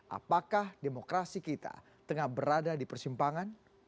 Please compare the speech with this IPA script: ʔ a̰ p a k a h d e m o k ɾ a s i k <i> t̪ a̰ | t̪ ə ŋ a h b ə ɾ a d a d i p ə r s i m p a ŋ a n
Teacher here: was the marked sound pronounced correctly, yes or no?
yes